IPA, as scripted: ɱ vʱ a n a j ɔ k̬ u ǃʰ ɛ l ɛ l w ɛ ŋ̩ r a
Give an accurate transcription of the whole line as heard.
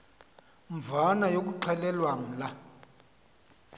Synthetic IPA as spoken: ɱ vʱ a n a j o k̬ u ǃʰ ɛ l ɛ l w a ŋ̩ l a